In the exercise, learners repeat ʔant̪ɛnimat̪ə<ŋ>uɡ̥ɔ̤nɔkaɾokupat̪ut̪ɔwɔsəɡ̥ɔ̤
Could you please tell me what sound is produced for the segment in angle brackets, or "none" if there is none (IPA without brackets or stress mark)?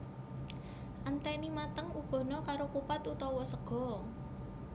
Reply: ŋ